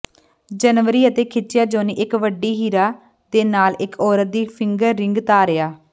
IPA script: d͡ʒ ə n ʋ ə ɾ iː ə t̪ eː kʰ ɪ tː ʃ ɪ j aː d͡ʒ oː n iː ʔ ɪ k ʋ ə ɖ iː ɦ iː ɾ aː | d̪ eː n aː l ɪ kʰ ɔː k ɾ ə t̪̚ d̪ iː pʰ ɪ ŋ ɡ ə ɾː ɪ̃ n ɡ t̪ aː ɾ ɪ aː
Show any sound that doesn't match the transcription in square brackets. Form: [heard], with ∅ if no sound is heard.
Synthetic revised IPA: d͡ʒ ə n ʋ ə ɾ iː ə t̪ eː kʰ ɪ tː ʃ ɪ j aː d͡ʒ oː n iː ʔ ɪ k ʋ ə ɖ iː ɦ iː ɾ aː | d̪ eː n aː l ɪ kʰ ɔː [∅] ɾ ə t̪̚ d̪ iː pʰ ɪ ŋ ɡ ə ɾː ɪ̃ [ŋ] ɡ t̪ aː ɾ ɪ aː